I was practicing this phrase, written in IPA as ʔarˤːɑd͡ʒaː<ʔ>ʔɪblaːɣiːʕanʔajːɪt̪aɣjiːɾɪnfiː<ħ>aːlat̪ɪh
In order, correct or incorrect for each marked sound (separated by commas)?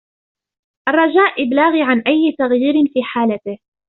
correct, correct